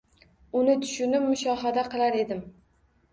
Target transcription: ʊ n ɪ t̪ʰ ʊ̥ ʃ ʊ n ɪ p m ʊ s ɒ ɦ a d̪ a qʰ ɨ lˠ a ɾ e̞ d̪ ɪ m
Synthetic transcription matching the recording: ʊ n ɪ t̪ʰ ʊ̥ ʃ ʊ n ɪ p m ʊ ʃ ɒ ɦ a d̪ a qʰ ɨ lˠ a ɾ e̞ d̪ ɪ m

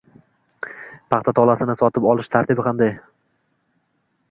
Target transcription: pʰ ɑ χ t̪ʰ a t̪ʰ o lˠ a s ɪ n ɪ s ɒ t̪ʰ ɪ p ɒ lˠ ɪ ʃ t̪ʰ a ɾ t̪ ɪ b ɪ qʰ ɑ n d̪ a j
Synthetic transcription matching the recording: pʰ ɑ χ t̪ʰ a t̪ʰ ɒ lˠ a s ɪ n ɪ s ɒ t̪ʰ ɪ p ɒ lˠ ɪ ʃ t̪ʰ a ɾ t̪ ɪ b ɪ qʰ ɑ n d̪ a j

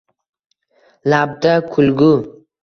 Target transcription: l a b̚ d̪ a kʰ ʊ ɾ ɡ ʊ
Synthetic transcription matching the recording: l a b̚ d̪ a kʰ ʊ l ɡ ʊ

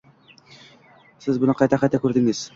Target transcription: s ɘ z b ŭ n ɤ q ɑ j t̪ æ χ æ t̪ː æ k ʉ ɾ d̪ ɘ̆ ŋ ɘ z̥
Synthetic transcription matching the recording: s ɘ z b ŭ n ɤ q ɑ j t̪ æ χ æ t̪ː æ k ʉ ɾ d̪ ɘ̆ ŋ ɘ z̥

